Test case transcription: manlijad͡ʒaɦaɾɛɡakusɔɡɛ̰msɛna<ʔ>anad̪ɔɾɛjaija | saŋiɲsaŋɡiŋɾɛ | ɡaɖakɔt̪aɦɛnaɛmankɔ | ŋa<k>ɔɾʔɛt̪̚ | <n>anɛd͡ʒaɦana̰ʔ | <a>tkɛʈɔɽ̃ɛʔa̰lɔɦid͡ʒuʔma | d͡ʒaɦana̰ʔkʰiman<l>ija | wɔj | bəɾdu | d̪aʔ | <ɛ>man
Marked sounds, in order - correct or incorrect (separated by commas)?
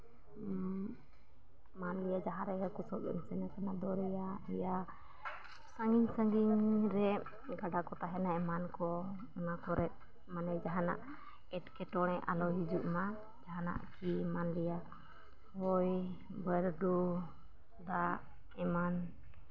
incorrect, correct, incorrect, incorrect, correct, correct